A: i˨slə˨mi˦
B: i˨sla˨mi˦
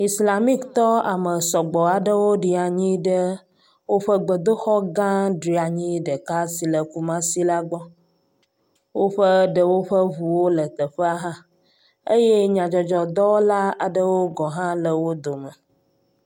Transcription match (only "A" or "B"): B